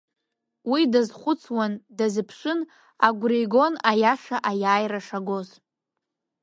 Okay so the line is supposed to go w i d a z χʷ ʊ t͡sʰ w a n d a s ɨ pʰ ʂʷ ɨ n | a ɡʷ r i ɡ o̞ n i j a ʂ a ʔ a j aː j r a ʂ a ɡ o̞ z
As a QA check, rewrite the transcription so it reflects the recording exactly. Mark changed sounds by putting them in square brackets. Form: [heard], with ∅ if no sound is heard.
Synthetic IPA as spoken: w i d a z χʷ ʊ t͡sʰ w a n d a [z] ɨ pʰ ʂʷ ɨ n | a ɡʷ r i ɡ o̞ n [a] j a ʂ a ʔ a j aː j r a ʂ a ɡ o̞ z